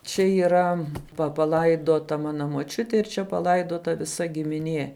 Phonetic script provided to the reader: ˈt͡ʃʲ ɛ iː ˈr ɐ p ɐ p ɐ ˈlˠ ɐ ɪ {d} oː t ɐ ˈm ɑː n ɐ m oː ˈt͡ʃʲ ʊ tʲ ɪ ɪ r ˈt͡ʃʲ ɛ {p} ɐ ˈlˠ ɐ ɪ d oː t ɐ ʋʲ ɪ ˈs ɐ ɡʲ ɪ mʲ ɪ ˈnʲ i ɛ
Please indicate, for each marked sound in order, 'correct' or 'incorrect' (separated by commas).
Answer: correct, correct